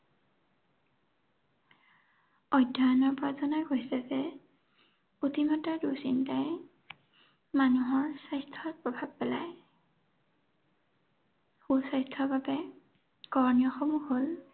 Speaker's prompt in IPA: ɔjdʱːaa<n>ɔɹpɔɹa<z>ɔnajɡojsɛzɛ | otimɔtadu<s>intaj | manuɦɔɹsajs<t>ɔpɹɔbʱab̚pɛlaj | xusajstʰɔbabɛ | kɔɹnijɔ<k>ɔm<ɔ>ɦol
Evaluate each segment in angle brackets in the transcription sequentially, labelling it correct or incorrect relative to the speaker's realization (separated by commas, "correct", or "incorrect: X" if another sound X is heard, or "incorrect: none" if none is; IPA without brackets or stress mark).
correct, correct, correct, incorrect: tʰ, incorrect: x, incorrect: u